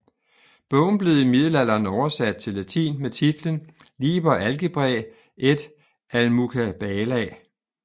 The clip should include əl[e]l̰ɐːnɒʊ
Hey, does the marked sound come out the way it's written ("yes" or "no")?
no